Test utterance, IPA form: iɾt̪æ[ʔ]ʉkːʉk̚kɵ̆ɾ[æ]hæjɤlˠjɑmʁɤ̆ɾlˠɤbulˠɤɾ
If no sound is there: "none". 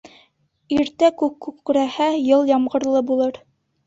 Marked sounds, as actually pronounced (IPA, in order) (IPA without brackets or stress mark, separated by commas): k, æ